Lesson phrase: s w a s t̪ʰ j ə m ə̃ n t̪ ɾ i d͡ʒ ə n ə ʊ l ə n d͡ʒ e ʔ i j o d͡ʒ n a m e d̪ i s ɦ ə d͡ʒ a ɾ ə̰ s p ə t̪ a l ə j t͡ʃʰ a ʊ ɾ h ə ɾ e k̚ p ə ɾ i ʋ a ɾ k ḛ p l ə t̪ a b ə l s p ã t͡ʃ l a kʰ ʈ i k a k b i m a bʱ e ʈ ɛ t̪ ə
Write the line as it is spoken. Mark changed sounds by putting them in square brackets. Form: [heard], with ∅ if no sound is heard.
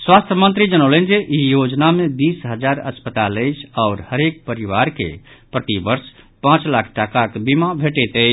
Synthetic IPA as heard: s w a s t̪ʰ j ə m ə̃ n t̪ ɾ i d͡ʒ ə n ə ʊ l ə n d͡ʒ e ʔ i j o d͡ʒ n a m e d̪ i s ɦ ə d͡ʒ a ɾ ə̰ s p ə t̪ a l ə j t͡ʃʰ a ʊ ɾ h ə ɾ e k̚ p ə ɾ i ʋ a ɾ k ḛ p [ɾ] ə t̪ [i] b ə [ɾ] s p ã t͡ʃ l a kʰ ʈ [a] k a k b i m a bʱ e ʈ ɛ t̪ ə